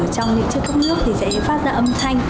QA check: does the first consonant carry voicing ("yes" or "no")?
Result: no